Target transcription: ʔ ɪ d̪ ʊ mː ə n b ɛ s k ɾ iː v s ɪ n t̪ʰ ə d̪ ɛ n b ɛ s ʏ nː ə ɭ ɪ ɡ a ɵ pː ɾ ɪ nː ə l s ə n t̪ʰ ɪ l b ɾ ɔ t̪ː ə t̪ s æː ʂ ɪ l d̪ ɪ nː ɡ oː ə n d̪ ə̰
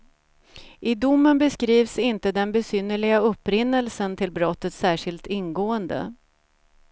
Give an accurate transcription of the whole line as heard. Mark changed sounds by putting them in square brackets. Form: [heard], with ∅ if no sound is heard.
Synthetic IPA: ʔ ɪ d̪ ʊ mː ə n b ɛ s k ɾ iː v s ɪ n [t̪] ə d̪ ɛ n b ɛ s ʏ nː ə ɭ ɪ ɡ a ɵ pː ɾ ɪ nː ə l s ə n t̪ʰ ɪ l b ɾ ɔ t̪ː ə t̪ s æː ʂ ɪ l [t̪] ɪ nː ɡ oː ə n d̪ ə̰

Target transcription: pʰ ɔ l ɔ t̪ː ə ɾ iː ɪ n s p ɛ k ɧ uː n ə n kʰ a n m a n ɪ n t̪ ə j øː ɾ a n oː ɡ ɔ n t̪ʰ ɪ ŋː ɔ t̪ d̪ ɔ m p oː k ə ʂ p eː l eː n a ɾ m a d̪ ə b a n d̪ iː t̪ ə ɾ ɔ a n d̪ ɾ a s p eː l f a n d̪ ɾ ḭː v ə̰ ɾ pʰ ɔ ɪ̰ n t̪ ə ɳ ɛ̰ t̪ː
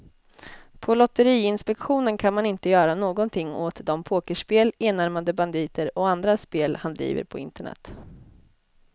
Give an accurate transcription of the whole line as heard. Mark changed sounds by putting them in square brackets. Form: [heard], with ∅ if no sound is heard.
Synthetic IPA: pʰ ɔ l ɔ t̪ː ə ɾ iː ɪ n s p ɛ k ɧ uː n ə n kʰ a n m a n ɪ n t̪ ə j [œː] ɾ a n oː ɡ ɔ n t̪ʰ ɪ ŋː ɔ t̪ d̪ ɔ m [pʰ] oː k ə ʂ p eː l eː n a ɾ m a d̪ ə b a n d̪ iː t̪ ə ɾ ɔ a n d̪ ɾ a s p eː l [h] a n d̪ ɾ ḭː v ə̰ ɾ pʰ ɔ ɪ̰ n t̪ ə ɳ ɛ̰ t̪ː

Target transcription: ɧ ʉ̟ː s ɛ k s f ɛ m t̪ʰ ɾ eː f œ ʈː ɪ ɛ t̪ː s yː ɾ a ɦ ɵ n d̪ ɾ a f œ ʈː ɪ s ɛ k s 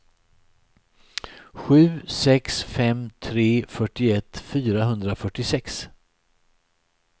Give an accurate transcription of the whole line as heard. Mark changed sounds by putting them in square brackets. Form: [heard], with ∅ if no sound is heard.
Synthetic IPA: ɧ ʉ̟ː s ɛ k s f ɛ m t̪ʰ ɾ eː f œ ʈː ɪ ɛ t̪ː [f] yː ɾ a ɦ ɵ n d̪ ɾ a f œ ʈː ɪ s ɛ k s

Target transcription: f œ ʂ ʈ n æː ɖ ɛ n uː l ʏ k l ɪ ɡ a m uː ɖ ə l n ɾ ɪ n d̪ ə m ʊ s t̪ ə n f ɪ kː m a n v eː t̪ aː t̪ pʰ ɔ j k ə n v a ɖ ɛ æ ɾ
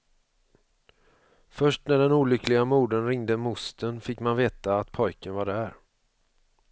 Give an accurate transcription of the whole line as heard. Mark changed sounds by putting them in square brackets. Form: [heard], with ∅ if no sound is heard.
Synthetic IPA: f œ ʂ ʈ n [æ] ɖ ɛ n uː l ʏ k l ɪ ɡ a m uː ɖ ə [∅] n ɾ ɪ [ŋ] d̪ ə m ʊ s t̪ ə n f ɪ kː m a n v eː t̪ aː t̪ pʰ ɔ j k ə n v a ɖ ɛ æ ɾ

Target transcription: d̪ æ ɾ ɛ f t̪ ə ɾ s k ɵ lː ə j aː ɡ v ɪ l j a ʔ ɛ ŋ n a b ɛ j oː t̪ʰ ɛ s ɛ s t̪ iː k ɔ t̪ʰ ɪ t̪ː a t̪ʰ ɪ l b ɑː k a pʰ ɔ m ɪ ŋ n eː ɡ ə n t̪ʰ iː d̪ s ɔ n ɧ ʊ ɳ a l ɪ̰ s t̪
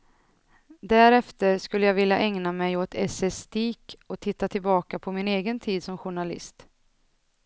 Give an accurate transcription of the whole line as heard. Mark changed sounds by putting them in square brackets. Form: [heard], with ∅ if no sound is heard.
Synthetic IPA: d̪ æ ɾ ɛ f t̪ ə ɾ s k ɵ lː ə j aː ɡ v ɪ l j a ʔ ɛ ŋ n a [m] ɛ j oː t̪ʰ ɛ s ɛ s t̪ iː k ɔ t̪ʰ ɪ t̪ː a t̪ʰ ɪ l b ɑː k a pʰ ɔ m ɪ [∅] n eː ɡ ə n t̪ʰ iː d̪ s ɔ [m] ɧ ʊ ɳ a l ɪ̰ s t̪

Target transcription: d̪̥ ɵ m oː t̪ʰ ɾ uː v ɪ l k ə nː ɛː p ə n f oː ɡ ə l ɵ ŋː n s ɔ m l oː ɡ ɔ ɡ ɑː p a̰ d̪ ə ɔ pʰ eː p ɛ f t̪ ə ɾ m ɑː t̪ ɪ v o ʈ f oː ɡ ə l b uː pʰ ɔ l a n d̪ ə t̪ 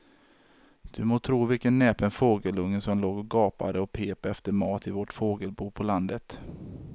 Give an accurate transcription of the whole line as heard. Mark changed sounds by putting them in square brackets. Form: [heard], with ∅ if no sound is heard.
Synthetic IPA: d̪̥ ɵ m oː t̪ʰ ɾ uː v ɪ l k ə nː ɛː p ə n f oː ɡ ə l ɵ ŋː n s ɔ m l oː ɡ ɔ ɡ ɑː p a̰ d̪ ə ɔ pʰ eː p ɛ f t̪ ə ɾ m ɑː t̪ ɪ v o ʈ f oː ɡ ə l b uː pʰ ɔ l a n d̪ ə t̪

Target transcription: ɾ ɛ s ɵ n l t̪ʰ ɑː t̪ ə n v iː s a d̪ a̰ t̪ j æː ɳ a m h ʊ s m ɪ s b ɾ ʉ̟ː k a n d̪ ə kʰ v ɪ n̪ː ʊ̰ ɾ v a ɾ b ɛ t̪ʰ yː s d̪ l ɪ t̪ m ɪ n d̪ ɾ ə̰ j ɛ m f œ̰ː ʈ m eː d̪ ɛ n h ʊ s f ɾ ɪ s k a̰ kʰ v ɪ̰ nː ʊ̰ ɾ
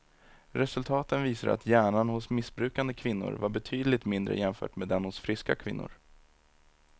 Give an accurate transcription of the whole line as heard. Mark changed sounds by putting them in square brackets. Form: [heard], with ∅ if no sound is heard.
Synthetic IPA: ɾ ɛ s ɵ [∅] l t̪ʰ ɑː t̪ ə n v iː s a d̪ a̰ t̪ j æː ɳ a [n] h ʊ s m ɪ s b ɾ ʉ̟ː k a n d̪ ə kʰ v ɪ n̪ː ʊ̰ ɾ v a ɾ b ɛ t̪ʰ yː [∅] d̪ l ɪ t̪ m ɪ n d̪ ɾ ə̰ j ɛ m f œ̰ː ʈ m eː d̪ ɛ n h ʊ s f ɾ ɪ s k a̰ kʰ v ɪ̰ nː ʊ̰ ɾ

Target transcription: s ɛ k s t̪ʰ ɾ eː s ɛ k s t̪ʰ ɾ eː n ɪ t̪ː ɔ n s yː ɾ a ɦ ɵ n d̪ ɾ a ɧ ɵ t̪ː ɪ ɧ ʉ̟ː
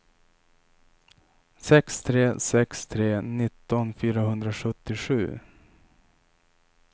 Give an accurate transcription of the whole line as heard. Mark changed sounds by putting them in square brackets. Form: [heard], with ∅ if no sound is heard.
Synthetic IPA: s ɛ k s t̪ʰ ɾ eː s ɛ k s t̪ʰ ɾ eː n ɪ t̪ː ɔ n [f] yː ɾ a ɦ ɵ n d̪ ɾ a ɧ ɵ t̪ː ɪ ɧ ʉ̟ː

